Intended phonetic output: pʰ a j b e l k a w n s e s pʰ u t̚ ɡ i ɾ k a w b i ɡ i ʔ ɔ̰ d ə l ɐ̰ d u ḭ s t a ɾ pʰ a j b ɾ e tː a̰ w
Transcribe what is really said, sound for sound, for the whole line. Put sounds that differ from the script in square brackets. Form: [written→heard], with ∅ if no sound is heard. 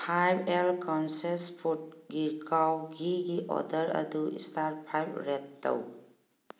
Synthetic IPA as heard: pʰ a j b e l k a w n s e s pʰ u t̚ ɡ i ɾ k a w [b→ɡ] i ɡ i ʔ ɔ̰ d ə [l→ɾ] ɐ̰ d u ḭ s t a ɾ pʰ a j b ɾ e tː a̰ w